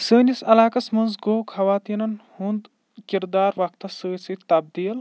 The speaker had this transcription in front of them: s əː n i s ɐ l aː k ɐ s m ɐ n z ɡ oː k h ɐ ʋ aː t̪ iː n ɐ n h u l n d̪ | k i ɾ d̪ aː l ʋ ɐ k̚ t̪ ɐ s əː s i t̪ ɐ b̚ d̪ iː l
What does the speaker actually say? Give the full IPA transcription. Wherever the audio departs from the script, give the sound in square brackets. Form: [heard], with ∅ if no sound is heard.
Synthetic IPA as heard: s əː n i s ɐ l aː k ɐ s m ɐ n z ɡ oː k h ɐ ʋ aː t̪ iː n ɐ n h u [∅] n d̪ | k i ɾ d̪ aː [ɾ] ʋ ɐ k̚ t̪ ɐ s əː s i t̪ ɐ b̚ d̪ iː l